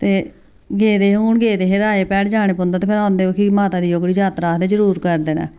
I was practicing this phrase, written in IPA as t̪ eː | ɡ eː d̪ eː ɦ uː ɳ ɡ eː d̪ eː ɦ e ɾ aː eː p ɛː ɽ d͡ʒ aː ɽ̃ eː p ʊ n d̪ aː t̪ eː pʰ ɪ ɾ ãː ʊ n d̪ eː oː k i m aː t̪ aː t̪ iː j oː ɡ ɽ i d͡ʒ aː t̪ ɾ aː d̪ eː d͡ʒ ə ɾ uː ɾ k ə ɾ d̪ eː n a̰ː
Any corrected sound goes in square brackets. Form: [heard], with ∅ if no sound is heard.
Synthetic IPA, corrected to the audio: t̪ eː | ɡ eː d̪ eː ɦ uː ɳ ɡ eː d̪ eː ɦ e ɾ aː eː p ɛː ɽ d͡ʒ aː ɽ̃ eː p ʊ n d̪ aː t̪ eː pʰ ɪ ɾ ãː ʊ n d̪ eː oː k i m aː t̪ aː [d̪] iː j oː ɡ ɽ i d͡ʒ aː t̪ ɾ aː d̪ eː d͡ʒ ə ɾ uː ɾ k ə ɾ d̪ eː n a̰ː